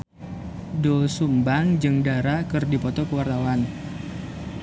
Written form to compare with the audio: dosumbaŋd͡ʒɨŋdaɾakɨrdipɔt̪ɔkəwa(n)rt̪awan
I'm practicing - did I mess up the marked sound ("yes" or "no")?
yes